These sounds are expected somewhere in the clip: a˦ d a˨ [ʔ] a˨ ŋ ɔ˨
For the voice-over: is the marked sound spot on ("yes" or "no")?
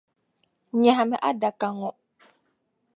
no